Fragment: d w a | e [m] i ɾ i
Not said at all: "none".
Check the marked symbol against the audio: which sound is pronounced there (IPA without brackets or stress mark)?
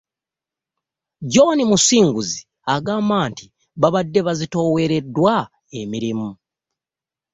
m